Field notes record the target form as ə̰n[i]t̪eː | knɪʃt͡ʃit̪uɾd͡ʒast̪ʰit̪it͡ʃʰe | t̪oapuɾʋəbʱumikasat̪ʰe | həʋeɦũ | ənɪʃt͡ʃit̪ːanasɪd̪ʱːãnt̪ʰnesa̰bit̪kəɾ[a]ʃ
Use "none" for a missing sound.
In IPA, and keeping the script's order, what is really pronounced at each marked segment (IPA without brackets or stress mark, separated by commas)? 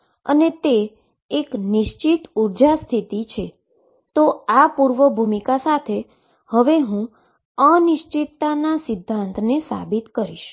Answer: e, i